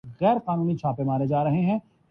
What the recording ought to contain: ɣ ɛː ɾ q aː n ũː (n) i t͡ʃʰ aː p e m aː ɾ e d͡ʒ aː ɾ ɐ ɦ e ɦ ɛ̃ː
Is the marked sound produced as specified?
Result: yes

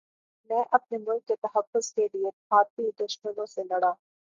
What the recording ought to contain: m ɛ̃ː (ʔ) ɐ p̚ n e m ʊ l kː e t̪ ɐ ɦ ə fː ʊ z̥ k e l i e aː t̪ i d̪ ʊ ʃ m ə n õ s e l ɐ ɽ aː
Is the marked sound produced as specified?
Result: yes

